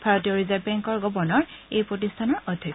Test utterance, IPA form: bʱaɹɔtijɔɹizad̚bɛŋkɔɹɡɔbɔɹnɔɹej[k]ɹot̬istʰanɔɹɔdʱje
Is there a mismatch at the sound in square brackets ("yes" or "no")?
yes